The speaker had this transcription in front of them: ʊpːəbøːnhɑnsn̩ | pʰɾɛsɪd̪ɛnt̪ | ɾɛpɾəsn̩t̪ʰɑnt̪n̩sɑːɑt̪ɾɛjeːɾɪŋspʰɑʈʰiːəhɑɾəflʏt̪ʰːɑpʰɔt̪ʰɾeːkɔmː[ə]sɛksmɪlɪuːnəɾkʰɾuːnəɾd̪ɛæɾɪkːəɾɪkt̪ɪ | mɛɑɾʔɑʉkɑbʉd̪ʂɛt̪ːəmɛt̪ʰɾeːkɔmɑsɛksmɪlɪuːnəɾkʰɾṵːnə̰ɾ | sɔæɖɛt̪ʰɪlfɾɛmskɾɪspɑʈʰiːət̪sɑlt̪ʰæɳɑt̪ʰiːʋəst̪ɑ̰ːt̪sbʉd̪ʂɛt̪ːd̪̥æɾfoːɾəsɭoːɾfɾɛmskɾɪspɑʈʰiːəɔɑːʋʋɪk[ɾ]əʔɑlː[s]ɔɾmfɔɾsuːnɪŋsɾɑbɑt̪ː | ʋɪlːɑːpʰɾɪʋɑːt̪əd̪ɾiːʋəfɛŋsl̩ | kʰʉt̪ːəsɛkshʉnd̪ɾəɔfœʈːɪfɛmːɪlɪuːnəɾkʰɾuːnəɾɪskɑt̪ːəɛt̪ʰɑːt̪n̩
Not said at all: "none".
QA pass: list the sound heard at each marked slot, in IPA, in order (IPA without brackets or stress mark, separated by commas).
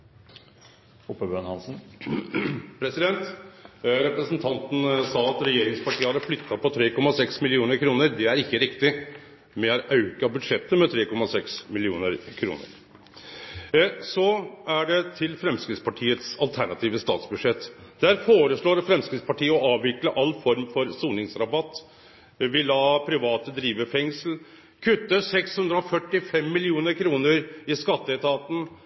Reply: ɑ, l, f